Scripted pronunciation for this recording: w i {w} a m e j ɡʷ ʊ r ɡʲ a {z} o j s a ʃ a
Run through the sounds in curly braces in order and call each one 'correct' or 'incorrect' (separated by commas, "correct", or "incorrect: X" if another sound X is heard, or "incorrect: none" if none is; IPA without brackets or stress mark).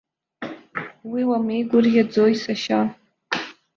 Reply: correct, incorrect: d͡z